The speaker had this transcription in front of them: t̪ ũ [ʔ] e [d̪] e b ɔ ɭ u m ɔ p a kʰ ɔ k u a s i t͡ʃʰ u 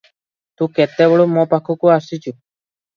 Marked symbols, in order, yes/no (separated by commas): no, no